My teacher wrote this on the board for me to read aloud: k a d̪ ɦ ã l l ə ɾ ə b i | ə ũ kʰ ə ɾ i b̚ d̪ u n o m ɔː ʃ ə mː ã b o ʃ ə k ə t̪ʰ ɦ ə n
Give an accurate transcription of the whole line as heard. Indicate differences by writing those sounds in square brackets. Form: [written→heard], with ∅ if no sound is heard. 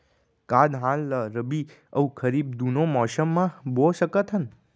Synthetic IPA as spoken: k a d̪ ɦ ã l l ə ɾ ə b i | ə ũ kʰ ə ɾ i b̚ d̪ u n o m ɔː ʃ ə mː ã b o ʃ ə k ə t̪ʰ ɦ ə n

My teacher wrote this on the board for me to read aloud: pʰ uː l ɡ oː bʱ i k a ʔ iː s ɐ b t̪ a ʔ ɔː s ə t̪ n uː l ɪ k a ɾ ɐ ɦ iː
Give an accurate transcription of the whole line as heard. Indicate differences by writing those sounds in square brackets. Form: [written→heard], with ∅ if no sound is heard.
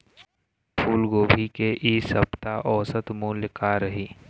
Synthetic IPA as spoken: pʰ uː l ɡ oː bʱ i k [a→e] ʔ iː s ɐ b t̪ a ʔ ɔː s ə t̪ [n→m] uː l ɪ k a ɾ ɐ ɦ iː

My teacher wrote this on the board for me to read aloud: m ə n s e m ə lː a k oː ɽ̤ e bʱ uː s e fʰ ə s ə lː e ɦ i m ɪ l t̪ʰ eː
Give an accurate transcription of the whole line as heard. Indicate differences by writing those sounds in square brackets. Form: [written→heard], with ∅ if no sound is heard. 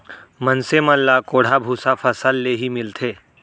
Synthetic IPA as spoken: m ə n s e m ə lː a k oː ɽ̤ [e→a] bʱ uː s [e→a] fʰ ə s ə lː e ɦ i m ɪ l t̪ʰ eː

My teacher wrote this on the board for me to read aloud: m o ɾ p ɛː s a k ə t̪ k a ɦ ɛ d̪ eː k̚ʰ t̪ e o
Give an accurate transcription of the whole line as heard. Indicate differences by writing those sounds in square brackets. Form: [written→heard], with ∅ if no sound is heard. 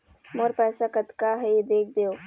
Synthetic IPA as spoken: m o ɾ p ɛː s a k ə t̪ k a ɦ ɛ d̪ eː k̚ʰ [t̪→d̪] e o

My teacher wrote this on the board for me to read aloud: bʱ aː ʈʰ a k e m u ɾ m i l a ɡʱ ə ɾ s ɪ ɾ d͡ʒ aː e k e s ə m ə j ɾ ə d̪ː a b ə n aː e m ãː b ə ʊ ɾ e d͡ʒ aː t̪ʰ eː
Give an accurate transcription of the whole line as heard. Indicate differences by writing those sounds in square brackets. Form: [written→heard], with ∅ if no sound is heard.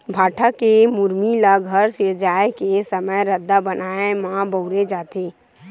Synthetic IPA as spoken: bʱ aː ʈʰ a k e m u ɾ m i l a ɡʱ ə ɾ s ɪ ɾ d͡ʒ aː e k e s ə m ə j ɾ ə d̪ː a b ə n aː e m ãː b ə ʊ ɾ e d͡ʒ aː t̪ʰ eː

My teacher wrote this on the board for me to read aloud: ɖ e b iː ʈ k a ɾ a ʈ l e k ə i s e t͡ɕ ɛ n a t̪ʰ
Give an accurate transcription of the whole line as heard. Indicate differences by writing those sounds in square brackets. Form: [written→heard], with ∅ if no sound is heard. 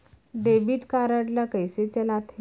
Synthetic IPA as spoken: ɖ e b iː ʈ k a ɾ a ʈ l [e→a] k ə [i→j] s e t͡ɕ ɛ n a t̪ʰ

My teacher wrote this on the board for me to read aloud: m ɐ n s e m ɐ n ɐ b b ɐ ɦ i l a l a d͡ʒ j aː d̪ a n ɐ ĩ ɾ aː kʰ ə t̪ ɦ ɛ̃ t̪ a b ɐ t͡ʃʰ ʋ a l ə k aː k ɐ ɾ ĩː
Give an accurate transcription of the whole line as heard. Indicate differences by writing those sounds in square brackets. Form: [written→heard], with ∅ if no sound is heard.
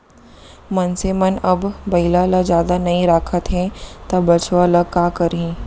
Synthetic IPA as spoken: m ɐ n s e m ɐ n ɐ b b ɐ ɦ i l a l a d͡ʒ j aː d̪ a n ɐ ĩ ɾ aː kʰ ə t̪ ɦ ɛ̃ t̪ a b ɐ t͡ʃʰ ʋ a l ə k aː k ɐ ɾ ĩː

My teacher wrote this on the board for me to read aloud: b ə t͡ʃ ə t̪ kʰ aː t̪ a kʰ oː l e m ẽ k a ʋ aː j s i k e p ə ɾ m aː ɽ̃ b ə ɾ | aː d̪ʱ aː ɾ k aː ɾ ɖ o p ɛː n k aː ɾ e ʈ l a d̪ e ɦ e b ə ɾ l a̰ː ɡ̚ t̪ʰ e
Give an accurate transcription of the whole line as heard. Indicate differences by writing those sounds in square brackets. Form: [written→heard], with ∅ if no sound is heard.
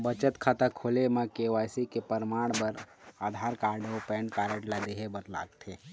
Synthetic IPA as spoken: b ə t͡ʃ ə t̪ kʰ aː t̪ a kʰ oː l e m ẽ k [a→e] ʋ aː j s i k e p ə ɾ m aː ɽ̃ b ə ɾ | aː d̪ʱ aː ɾ k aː ɾ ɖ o p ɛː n k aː ɾ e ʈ l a d̪ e ɦ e b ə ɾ l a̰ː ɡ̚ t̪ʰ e

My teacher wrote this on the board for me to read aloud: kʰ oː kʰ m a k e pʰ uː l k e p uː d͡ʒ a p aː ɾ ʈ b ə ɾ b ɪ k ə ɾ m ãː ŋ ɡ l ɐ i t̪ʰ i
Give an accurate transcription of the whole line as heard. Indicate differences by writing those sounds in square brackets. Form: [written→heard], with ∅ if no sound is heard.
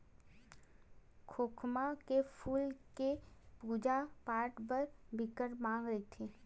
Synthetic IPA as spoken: kʰ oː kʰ m a k e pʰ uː l k e p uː d͡ʒ a p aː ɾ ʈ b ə ɾ b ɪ k ə ɾ m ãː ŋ ɡ [l→ɾ] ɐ i t̪ʰ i

